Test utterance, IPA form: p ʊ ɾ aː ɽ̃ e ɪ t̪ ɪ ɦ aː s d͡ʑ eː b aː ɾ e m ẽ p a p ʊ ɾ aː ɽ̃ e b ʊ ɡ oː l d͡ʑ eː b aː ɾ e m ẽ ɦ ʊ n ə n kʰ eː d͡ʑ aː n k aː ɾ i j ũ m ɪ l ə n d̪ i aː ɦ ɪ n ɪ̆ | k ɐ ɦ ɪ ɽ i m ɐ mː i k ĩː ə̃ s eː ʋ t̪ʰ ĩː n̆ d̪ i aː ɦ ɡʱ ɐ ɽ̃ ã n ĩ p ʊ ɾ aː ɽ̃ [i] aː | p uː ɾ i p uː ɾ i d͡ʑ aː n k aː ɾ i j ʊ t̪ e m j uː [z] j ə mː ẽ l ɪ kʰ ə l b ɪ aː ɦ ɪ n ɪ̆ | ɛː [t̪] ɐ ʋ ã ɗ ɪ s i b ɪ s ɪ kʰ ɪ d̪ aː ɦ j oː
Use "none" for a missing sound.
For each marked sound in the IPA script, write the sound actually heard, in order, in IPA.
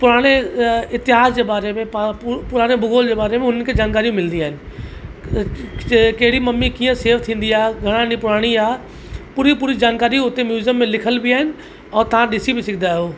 i, z, t̪

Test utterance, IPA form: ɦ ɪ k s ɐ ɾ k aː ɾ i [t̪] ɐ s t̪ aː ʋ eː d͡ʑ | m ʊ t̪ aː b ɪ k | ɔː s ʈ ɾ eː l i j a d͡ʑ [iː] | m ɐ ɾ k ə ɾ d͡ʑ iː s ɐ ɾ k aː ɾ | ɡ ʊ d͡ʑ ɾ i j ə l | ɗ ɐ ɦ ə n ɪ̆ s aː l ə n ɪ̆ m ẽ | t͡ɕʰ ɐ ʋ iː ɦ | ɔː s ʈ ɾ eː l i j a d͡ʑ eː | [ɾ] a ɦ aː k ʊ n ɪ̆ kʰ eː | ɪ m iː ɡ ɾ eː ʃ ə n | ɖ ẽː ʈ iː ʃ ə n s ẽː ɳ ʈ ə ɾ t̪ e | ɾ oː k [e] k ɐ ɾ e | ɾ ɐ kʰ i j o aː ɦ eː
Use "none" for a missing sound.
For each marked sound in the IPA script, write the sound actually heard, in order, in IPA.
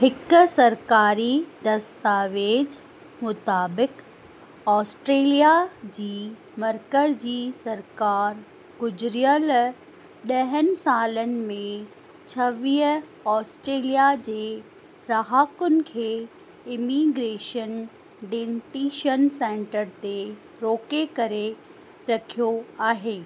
d̪, iː, ɾ, e

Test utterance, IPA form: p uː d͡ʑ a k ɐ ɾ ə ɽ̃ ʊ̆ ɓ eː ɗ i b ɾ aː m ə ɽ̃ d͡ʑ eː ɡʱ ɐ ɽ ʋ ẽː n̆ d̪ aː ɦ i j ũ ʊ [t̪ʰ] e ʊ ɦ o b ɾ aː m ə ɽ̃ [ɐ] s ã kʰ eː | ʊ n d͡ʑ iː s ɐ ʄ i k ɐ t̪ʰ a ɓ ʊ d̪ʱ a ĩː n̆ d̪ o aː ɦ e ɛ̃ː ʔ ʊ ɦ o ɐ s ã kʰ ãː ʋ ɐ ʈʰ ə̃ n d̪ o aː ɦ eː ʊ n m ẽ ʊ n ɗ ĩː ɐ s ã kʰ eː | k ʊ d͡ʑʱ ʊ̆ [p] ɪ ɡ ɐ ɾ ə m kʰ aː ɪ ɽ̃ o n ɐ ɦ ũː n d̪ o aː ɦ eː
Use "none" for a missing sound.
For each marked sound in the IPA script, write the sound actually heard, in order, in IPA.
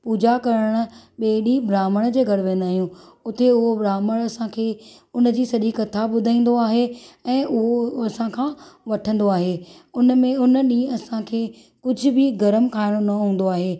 t̪, ɐ, b

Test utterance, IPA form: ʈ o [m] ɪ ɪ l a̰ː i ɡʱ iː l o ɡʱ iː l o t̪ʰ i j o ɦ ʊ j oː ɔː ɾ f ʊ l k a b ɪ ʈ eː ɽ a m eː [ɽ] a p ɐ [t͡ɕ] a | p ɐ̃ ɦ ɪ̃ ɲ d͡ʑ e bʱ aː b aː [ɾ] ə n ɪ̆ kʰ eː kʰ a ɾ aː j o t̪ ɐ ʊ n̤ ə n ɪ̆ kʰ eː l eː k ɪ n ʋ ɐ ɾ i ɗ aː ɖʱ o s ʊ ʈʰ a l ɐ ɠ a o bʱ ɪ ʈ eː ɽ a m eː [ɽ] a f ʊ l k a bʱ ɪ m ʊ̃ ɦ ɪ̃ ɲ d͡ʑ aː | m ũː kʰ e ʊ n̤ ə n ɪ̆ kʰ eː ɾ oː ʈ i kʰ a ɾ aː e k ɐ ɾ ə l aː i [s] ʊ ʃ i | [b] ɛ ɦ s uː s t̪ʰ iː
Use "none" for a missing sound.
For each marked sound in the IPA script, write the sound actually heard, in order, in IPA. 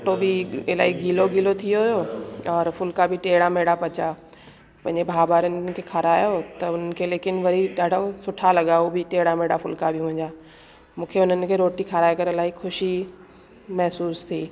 b, ɽ, t͡ɕ, ɾ, ɽ, x, m

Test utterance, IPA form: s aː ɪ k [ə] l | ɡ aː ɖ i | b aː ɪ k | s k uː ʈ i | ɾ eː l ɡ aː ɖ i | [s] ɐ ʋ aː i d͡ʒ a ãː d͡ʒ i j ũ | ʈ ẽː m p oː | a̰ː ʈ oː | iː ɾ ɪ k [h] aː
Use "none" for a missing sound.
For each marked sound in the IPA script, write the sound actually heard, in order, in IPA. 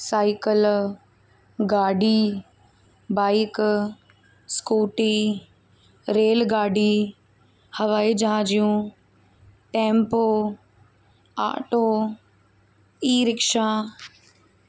ə, h, ʃ

